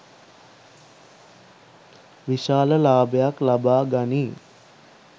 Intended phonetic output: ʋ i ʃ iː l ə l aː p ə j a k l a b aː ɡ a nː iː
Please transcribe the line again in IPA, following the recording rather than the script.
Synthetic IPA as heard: ʋ i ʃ aː l ə l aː b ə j a k l a b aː ɡ a n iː